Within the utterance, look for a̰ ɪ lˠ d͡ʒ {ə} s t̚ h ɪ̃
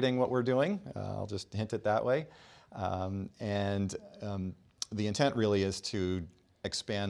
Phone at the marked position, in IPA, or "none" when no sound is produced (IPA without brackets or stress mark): ʌ